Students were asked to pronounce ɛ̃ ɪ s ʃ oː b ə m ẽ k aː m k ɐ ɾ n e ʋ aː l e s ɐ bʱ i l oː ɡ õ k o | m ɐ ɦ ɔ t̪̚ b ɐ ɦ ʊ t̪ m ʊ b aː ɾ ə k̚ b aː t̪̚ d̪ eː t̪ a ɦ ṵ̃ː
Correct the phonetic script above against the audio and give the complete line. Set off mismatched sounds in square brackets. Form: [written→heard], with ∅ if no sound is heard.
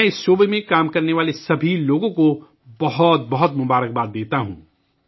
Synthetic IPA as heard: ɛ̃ ɪ s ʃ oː b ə m ẽ k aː m k ɐ ɾ n e ʋ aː l e s ɐ bʱ i l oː ɡ õ k o | [m→b] ɐ ɦ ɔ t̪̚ b ɐ ɦ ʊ t̪ m ʊ b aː ɾ ə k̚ b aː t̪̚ d̪ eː t̪ a ɦ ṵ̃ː